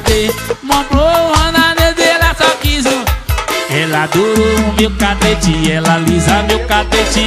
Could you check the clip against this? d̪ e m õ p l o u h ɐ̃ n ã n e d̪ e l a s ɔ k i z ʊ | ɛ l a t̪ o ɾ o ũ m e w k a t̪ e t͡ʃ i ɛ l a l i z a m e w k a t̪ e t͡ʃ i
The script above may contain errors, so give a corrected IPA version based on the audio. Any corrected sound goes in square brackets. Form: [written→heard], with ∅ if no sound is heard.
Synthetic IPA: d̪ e m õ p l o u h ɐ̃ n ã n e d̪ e l a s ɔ k i z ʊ | ɛ l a [t̪→d̪] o ɾ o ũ m e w k a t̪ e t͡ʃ i ɛ l a l i z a m e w k a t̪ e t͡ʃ i